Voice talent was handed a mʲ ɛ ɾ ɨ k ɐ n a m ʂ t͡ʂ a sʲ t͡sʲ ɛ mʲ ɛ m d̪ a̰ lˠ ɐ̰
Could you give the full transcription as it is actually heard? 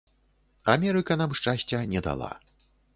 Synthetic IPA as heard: a mʲ ɛ ɾ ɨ k ɐ n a m ʂ t͡ʂ a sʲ t͡sʲ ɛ nʲ ɛ d̪ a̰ lˠ a̰